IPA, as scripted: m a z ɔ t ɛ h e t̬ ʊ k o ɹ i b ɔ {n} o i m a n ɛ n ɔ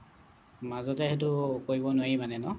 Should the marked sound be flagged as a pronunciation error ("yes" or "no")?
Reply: no